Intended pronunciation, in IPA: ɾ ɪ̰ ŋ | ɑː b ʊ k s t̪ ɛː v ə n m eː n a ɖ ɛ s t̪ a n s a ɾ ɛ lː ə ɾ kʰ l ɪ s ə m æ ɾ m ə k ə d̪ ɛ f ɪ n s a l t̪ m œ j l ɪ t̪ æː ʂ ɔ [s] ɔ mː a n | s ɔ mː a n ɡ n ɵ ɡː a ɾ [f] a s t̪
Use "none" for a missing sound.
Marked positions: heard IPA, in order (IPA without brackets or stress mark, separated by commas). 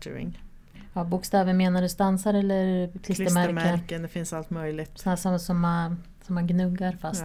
s, f